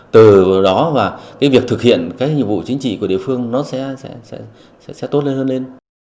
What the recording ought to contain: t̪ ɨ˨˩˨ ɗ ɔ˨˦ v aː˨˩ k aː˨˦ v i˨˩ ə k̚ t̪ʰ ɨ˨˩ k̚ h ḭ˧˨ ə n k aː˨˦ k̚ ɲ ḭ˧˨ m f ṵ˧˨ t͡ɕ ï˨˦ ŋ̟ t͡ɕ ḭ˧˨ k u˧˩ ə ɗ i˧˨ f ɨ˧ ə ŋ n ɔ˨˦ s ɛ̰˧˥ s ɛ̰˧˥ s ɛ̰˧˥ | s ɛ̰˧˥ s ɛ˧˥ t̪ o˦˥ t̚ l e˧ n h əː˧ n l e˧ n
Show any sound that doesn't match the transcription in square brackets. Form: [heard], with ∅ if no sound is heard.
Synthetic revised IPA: t̪ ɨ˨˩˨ ɗ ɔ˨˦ v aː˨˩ k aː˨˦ v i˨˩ ə k̚ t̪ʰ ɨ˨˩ k̚ h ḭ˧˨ ə n k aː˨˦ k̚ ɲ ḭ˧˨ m [v] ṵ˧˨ t͡ɕ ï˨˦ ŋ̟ t͡ɕ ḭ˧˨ k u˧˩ ə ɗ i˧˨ f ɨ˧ ə ŋ n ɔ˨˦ s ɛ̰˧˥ s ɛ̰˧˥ s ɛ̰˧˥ | s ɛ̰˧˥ s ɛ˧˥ t̪ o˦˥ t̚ l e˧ n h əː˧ n l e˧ n